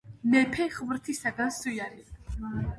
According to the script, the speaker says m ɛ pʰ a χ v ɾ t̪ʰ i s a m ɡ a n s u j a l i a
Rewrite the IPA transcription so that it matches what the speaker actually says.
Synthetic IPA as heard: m ɛ pʰ ɛ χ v ɾ t̪ʰ i s a ɡ a n s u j a ɾ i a